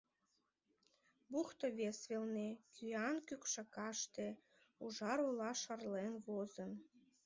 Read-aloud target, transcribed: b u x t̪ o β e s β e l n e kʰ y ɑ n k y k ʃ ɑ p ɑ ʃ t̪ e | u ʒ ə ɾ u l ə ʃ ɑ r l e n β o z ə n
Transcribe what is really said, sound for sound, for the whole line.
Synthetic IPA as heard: b u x t̪ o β e s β e l n e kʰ y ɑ n k y k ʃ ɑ k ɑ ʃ t̪ e | u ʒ ɑ ɾ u l ɑ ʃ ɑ r l e n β o z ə n